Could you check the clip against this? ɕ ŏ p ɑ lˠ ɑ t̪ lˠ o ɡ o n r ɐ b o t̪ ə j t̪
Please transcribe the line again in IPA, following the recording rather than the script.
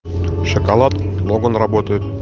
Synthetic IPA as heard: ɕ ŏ k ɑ lˠ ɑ t̪ lˠ o ɡ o n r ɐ b o t̪ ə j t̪